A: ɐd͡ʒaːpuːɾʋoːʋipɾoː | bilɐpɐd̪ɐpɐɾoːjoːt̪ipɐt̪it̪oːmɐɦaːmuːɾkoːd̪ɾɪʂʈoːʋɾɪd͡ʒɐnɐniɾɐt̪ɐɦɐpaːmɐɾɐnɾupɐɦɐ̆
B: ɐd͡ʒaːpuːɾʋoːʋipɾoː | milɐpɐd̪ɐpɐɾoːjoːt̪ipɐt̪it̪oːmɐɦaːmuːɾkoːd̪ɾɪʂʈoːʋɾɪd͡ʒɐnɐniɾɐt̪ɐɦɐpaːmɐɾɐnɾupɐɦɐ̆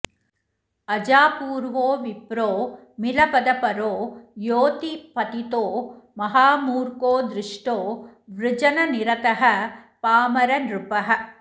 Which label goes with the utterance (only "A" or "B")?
B